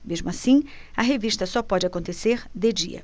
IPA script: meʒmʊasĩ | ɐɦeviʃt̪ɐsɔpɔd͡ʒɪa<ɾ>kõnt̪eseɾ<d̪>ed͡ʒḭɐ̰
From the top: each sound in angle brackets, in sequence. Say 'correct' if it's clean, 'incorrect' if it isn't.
incorrect, correct

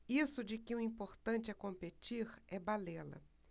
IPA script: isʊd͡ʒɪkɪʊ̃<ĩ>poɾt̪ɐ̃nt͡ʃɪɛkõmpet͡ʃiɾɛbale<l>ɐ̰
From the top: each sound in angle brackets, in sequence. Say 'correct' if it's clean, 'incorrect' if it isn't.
correct, correct

